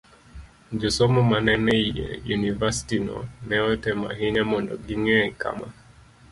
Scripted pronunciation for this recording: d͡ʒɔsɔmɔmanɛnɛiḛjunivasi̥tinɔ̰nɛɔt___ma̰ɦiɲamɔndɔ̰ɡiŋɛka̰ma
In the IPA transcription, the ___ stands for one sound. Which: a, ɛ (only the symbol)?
ɛ